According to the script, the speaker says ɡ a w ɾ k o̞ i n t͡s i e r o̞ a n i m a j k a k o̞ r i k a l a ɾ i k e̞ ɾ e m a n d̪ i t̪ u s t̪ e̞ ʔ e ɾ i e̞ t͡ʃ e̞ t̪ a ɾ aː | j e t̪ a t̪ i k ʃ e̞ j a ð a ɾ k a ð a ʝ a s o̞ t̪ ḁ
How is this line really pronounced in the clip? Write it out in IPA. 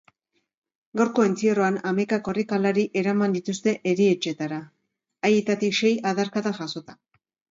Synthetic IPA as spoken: ɡ a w ɾ k o̞ e n t͡s i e r o̞ a n a m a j k a k o̞ r i k a l a ɾ i ʔ e̞ ɾ a m a n d̪ i t̪ u s t̪ e̞ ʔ e ɾ i e̞ t͡ʃ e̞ t̪ a ɾ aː | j e t̪ a t̪ i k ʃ e̞ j a ð a ɾ k a ð a ʝ a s o̞ t̪ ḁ